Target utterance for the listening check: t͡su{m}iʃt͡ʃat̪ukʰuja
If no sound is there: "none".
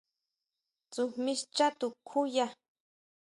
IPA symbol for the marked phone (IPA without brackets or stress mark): m